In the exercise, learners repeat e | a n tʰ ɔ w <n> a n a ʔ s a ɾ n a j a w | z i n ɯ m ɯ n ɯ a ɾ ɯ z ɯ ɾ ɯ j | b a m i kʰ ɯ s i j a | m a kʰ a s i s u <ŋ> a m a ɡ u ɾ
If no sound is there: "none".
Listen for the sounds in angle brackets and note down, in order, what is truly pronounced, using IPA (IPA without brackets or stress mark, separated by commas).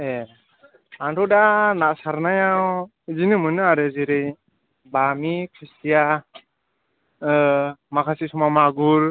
d, m